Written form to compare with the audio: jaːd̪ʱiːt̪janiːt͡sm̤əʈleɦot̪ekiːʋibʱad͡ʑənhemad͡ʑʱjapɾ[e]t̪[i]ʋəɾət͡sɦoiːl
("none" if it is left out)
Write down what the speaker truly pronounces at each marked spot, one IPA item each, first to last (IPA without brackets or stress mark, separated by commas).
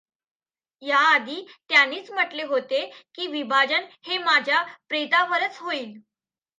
e, a